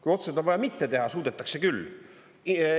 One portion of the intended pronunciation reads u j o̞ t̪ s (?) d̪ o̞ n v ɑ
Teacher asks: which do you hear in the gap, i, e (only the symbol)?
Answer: e